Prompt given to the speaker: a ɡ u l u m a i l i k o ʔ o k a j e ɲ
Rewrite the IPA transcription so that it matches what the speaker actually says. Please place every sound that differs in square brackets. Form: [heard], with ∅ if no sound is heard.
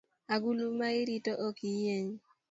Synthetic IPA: a ɡ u l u m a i [ɾ] i [t] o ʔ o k [i] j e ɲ